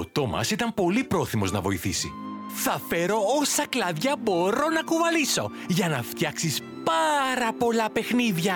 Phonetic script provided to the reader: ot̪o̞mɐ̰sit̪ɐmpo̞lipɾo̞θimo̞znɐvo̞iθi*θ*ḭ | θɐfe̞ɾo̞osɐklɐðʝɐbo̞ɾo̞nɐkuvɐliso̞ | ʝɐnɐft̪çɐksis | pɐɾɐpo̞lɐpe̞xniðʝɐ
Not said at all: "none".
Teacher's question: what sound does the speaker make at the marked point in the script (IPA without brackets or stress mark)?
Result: s